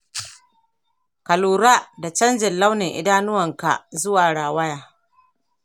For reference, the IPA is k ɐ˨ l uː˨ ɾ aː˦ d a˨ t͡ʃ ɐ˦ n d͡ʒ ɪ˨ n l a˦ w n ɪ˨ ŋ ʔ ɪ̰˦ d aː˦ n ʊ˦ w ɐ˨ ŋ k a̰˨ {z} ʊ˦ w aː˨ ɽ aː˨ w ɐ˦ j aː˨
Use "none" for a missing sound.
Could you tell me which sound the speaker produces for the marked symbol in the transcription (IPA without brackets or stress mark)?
z